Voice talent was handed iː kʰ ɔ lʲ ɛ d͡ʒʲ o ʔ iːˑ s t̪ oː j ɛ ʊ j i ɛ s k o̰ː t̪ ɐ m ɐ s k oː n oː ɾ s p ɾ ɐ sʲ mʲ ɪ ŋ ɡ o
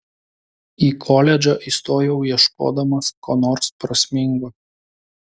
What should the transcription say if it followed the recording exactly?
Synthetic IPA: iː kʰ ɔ lʲ ɛ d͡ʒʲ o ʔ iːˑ s t̪ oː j ɛ ʊ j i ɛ ʃ k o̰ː d̪ ɐ m ɐ s k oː n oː ɾ s p ɾ ɐ sʲ mʲ ɪ ŋ ɡ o